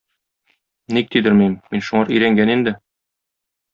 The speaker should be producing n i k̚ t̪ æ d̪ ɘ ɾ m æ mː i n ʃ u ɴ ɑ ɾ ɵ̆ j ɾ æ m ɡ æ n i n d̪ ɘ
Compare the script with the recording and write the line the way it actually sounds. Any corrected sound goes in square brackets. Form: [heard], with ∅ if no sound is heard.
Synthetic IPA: n i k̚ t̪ [i] d̪ ɘ ɾ m [i] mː i n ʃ u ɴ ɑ ɾ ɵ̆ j ɾ æ [ŋ] ɡ æ n i n d̪ ɘ